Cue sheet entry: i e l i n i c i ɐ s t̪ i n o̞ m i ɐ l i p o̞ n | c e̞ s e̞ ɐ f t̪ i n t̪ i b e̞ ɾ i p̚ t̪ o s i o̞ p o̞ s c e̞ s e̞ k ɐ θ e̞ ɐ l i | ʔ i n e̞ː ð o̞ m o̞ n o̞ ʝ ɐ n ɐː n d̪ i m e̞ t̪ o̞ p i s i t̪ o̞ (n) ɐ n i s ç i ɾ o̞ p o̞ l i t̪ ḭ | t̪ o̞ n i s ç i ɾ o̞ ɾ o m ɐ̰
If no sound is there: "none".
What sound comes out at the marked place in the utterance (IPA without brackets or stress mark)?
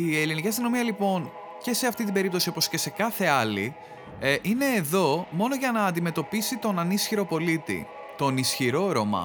n